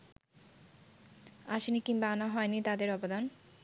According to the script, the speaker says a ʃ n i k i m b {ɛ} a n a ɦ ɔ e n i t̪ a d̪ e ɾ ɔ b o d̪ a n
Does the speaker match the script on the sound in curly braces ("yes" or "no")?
no